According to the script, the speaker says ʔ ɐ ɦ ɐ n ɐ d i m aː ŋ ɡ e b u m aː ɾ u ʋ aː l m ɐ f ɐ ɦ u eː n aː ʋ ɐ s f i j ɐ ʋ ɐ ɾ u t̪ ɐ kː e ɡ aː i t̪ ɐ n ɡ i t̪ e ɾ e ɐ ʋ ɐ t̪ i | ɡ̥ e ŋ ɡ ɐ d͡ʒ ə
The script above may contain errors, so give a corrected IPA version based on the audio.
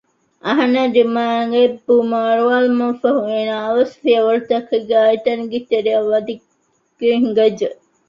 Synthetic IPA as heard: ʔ ɐ ɦ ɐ n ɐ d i m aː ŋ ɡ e b u m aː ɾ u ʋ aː l m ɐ f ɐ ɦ u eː n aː ʋ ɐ s f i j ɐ ʋ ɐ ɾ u t̪ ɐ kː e ɡ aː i t̪ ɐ n ɡ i t̪ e ɾ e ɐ ʋ ɐ d̪ i | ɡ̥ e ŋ ɡ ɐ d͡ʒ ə